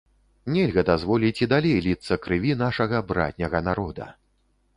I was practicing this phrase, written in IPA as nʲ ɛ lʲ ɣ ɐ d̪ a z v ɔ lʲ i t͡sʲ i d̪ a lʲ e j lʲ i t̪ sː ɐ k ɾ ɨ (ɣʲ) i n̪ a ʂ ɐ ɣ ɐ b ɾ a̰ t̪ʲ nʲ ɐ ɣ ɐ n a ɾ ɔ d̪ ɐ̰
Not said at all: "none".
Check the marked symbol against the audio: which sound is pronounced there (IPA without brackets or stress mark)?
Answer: vʲ